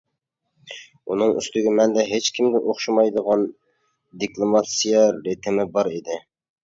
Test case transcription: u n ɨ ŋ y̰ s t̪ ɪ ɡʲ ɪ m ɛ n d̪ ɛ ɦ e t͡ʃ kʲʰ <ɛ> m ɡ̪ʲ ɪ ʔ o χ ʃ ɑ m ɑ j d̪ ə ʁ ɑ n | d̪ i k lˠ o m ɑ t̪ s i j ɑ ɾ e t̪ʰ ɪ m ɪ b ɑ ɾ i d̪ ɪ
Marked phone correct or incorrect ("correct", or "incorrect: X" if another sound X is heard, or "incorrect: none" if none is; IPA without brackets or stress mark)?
incorrect: i